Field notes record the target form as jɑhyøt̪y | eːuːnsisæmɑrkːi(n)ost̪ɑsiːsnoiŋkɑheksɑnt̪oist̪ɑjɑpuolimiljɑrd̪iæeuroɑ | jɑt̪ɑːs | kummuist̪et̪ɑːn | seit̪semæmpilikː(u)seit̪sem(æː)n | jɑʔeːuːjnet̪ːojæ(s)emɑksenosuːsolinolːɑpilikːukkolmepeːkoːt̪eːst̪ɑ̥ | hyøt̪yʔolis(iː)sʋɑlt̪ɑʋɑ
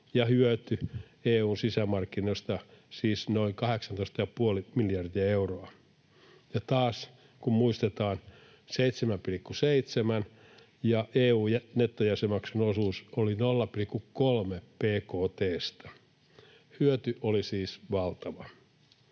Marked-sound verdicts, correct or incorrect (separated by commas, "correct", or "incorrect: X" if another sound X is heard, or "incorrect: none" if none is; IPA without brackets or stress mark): correct, correct, incorrect: æ, correct, correct